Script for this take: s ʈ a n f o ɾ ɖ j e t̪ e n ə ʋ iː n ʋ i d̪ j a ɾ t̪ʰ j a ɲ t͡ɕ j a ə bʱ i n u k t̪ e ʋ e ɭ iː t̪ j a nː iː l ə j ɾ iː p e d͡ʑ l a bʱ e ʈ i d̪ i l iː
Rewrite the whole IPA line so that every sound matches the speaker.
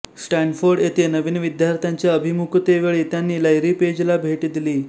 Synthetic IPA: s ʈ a n f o ɾ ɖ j e t̪ e n ə ʋ iː n ʋ i d̪ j a ɾ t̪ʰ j a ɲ t͡ɕ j a ə bʱ i m u k t̪ e ʋ e ɭ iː t̪ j a nː iː l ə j ɾ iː p e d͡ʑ l a bʱ e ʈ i d̪ i l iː